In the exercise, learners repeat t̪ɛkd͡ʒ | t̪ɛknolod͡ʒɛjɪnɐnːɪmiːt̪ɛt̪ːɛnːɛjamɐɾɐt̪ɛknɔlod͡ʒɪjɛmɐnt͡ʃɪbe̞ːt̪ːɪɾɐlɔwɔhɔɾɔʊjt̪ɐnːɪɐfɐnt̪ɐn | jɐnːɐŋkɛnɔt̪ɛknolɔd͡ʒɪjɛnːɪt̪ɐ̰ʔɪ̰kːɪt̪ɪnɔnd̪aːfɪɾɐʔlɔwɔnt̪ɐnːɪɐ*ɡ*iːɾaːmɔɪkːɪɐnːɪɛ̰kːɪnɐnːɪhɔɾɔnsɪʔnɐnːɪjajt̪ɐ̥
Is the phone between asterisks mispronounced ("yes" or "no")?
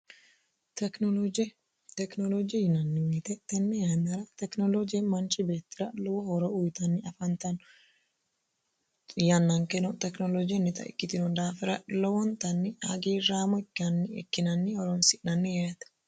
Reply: no